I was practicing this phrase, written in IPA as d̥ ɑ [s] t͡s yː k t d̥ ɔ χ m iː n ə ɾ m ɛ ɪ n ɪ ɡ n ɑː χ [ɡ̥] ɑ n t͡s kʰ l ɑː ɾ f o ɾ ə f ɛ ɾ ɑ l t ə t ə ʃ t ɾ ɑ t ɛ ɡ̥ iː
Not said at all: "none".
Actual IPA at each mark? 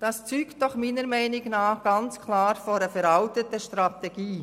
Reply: s, ɡ̥

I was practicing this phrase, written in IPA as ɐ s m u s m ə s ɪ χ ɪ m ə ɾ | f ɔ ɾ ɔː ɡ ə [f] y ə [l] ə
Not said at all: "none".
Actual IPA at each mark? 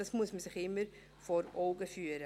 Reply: f, ɾ

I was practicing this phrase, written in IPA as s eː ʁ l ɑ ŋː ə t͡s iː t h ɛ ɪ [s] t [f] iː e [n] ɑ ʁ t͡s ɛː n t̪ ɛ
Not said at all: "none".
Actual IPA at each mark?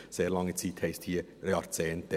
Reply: s, h, none

